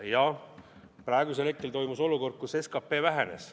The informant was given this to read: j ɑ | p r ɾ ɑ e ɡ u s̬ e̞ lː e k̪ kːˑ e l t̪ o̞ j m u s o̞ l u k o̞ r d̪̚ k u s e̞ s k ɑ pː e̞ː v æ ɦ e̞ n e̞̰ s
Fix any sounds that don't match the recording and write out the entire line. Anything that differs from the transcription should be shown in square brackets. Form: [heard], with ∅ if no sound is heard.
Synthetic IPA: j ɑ | p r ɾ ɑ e ɡ u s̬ e̞ [l] e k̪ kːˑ e l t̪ o̞ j m u s o̞ l u k o̞ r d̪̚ k u s e̞ s k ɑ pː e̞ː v æ ɦ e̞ n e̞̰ s